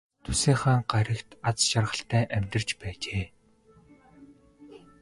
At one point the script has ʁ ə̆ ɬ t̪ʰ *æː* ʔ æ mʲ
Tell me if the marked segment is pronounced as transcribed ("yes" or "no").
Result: yes